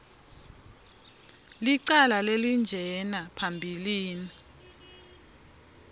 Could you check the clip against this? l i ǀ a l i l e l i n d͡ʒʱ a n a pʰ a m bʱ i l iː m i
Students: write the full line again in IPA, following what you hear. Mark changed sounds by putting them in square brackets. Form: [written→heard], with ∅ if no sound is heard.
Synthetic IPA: l i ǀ a l [i→a] l e l i n d͡ʒʱ [a→ɛ] n a pʰ a m bʱ i l iː [m→n] i